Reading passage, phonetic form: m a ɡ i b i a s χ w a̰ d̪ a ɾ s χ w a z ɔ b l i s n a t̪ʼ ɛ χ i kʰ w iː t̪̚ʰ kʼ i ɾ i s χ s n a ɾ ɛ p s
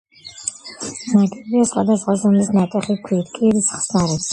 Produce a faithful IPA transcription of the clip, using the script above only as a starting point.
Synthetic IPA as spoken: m a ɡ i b i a s χ w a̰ d̪ a s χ w a z ɔ m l i s n a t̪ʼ ɛ χ i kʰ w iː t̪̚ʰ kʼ i ɾ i s χ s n a ɾ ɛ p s